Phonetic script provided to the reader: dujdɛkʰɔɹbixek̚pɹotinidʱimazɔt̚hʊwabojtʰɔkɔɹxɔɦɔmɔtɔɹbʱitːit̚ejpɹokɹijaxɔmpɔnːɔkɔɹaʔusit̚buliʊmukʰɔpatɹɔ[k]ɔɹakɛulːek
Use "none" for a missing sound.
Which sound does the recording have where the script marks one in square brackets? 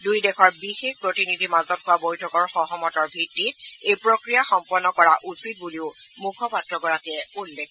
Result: ɡ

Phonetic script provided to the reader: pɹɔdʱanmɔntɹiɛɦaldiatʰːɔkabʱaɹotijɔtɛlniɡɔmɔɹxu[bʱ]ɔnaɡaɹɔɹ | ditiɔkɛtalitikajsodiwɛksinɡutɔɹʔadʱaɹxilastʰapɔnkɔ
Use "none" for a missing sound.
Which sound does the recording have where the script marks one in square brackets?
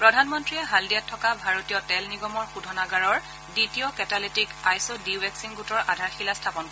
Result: dʱ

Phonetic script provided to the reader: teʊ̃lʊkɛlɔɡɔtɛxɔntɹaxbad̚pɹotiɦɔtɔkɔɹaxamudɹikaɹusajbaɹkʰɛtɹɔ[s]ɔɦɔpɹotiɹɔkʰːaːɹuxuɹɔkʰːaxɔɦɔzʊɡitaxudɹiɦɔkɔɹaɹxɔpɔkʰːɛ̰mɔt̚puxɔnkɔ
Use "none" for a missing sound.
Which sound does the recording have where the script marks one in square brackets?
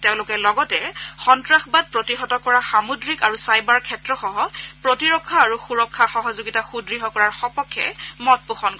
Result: x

